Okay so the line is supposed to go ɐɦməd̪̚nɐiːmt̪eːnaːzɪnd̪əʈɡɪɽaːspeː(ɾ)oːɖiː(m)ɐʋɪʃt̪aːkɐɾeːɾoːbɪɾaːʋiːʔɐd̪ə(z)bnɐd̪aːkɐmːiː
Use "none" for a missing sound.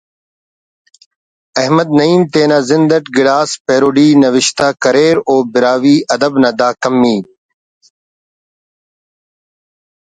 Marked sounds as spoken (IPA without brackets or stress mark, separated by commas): ɾ, n, none